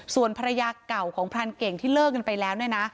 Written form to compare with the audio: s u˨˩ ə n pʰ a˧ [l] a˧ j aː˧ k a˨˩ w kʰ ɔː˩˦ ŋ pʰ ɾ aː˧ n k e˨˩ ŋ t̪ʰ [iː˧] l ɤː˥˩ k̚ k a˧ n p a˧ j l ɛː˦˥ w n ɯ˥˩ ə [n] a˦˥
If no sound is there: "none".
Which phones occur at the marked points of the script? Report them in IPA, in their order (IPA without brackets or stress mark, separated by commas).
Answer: ɾ, iː˥˩, n